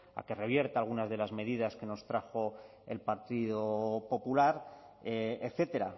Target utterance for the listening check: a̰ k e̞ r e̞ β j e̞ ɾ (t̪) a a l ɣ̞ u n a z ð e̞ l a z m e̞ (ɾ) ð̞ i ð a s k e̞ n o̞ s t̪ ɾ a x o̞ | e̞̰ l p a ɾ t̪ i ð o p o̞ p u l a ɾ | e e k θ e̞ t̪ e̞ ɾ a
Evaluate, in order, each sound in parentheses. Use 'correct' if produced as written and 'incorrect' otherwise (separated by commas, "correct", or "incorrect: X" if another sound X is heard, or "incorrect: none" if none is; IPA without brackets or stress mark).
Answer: correct, incorrect: none